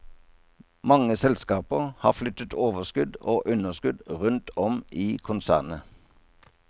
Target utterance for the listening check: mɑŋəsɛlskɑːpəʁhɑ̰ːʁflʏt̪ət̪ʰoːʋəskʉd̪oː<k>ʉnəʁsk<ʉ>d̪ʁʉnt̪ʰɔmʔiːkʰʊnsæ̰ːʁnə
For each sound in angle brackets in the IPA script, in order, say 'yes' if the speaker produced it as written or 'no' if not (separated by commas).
no, yes